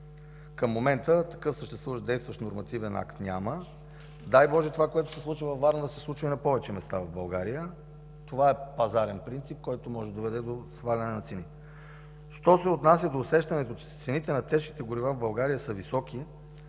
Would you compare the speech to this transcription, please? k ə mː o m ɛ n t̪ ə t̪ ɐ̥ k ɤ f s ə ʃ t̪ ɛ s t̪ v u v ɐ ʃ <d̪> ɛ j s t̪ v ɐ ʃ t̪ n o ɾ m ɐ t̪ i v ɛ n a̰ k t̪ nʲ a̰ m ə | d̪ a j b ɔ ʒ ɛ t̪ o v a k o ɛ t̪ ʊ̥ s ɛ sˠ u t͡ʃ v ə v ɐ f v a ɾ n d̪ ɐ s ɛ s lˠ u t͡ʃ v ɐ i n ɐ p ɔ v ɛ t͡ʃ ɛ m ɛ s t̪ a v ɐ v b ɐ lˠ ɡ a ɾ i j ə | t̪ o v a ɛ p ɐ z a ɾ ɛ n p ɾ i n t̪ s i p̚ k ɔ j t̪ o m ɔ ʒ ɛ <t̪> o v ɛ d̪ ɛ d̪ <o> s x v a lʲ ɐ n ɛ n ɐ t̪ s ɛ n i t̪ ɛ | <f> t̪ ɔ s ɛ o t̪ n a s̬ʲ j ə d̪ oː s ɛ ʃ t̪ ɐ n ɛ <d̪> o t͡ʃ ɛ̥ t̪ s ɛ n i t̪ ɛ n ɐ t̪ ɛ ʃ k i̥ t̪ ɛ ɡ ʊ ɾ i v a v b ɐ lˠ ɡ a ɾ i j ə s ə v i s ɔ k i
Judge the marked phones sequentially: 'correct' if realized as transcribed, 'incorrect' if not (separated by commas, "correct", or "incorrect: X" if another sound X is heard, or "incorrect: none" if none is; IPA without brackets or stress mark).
correct, incorrect: d̪, correct, incorrect: ʃ, incorrect: t̪